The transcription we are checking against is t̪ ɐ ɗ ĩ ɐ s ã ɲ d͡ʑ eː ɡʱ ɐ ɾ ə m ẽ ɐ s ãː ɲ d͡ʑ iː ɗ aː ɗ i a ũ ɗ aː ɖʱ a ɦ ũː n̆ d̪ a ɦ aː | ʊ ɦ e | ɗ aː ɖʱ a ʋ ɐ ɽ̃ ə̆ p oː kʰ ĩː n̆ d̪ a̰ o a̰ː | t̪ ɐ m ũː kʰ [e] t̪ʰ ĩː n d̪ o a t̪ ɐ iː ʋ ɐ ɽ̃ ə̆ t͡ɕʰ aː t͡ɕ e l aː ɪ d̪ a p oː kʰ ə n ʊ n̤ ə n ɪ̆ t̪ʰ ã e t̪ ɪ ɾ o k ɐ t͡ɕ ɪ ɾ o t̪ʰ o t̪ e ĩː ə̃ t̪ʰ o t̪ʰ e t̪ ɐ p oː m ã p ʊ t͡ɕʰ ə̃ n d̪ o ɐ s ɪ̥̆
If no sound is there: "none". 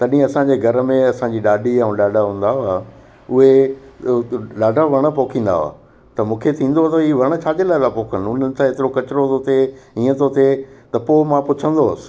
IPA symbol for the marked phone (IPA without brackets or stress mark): e